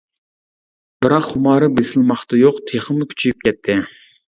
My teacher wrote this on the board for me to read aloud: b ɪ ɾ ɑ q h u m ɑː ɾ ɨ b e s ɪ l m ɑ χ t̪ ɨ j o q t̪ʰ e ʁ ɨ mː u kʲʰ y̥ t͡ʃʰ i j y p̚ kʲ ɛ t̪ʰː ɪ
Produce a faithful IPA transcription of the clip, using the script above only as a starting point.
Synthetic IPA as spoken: b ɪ ɾ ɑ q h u m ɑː ɾ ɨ b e s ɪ l m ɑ χ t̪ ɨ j o q t̪ʰ e χ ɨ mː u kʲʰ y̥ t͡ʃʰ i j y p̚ kʲ ɛ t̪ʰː ɪ